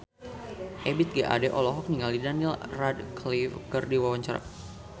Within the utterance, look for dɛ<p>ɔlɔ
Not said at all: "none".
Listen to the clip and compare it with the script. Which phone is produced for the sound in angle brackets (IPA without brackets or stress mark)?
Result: ʔ